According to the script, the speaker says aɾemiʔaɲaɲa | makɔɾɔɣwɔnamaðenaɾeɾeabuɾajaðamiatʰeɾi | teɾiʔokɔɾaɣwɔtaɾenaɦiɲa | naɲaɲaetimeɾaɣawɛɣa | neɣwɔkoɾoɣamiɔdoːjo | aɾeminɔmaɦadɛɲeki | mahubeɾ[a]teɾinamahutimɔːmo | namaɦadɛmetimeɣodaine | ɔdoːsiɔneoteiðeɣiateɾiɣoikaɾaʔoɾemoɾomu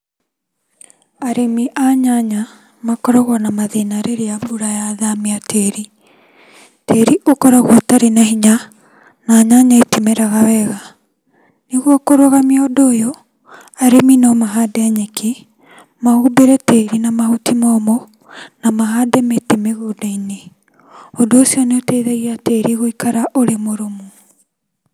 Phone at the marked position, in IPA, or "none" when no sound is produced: ɛ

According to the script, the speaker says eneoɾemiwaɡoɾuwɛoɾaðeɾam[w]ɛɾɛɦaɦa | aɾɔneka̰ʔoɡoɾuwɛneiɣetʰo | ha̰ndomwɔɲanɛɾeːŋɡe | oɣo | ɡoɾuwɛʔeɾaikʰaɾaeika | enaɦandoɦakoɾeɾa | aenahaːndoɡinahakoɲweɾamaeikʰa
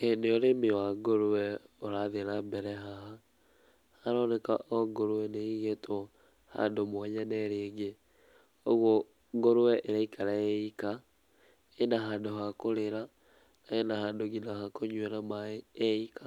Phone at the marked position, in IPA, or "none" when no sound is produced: b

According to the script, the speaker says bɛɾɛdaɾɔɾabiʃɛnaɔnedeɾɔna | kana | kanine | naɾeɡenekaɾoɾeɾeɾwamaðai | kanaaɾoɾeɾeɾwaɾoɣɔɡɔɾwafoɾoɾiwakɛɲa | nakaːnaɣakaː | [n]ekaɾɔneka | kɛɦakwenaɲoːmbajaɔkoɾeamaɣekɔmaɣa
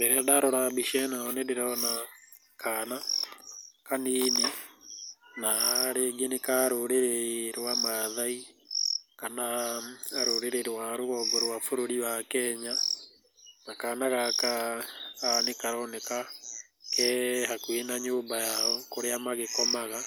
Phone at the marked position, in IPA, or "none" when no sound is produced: n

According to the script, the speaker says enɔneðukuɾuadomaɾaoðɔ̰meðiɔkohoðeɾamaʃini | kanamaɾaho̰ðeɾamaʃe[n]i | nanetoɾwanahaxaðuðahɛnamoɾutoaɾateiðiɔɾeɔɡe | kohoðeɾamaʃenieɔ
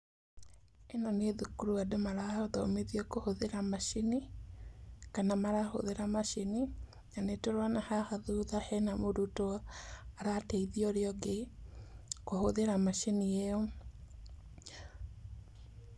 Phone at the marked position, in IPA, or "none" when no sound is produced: n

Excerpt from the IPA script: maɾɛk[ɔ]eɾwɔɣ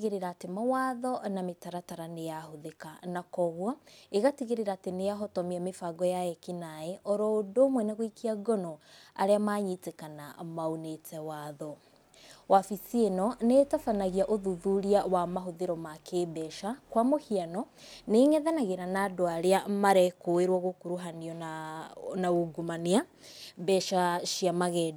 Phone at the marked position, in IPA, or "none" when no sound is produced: o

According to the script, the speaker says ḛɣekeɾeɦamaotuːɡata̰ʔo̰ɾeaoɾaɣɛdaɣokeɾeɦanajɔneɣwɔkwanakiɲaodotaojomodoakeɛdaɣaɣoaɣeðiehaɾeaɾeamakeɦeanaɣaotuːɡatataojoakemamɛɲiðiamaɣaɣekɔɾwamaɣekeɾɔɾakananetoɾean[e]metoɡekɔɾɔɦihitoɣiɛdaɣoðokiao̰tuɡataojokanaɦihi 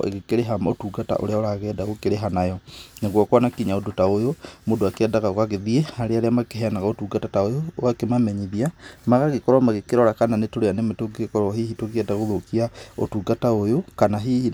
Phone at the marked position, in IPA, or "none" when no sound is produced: e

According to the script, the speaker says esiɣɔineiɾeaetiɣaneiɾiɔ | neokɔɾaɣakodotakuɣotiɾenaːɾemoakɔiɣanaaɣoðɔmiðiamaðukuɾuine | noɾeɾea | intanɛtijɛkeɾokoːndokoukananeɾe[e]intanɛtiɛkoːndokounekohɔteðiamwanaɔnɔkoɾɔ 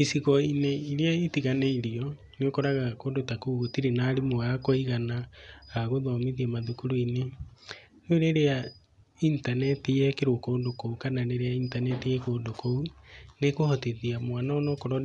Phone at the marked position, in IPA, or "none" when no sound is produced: a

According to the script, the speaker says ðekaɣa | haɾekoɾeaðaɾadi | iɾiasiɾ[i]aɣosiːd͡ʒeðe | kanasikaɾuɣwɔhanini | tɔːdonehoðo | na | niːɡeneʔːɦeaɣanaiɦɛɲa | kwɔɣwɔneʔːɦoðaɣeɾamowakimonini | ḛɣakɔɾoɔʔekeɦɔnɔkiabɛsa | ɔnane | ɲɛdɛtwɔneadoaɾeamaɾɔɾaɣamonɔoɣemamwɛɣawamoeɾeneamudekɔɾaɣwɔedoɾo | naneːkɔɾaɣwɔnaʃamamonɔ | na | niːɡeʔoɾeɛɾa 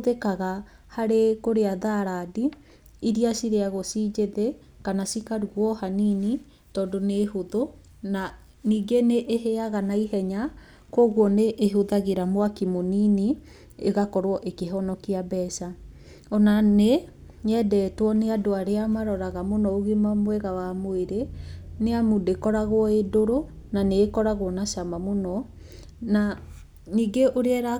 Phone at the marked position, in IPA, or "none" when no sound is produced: e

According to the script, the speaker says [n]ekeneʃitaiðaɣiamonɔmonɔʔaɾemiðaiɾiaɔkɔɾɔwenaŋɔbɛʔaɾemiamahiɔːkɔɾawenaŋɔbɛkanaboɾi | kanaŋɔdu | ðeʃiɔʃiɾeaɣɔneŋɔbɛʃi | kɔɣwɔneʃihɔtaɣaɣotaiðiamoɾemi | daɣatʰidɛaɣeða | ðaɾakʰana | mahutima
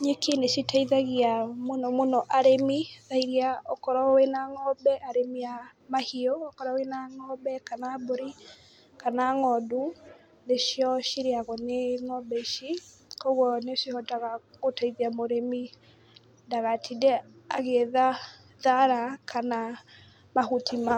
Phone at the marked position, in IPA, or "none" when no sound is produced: ɲ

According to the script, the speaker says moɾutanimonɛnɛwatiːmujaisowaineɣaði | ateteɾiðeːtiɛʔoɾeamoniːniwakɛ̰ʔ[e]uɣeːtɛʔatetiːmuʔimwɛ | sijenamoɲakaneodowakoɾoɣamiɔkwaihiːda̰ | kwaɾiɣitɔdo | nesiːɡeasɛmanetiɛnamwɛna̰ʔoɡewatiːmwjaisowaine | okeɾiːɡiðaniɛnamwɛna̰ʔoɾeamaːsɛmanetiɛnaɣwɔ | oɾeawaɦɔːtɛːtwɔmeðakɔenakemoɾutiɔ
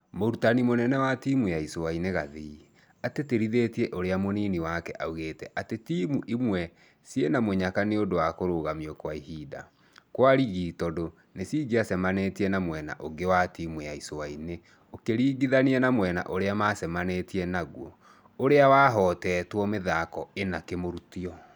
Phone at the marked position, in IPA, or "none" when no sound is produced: a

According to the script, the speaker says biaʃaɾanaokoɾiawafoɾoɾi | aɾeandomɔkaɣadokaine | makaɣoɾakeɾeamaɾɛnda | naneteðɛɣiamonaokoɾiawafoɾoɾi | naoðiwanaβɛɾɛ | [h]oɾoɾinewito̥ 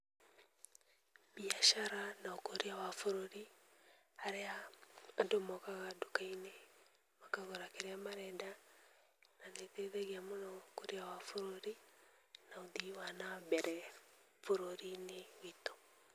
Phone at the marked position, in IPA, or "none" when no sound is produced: f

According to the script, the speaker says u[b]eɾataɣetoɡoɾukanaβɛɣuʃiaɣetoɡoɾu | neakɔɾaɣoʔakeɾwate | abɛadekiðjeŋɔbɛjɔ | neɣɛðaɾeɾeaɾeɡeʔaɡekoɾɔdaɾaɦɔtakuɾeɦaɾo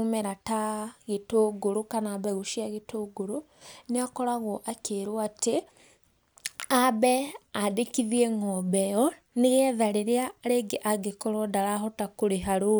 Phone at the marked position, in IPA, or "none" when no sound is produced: m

